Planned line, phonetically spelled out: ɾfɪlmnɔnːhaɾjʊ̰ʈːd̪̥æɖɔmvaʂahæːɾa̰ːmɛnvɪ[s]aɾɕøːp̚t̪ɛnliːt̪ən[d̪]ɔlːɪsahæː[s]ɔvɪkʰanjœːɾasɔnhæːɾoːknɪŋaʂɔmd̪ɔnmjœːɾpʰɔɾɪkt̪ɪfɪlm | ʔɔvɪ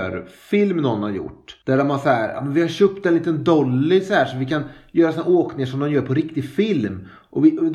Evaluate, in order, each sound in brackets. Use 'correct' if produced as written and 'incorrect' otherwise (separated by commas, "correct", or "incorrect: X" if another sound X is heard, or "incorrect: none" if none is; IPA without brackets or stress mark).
incorrect: h, correct, incorrect: ʂ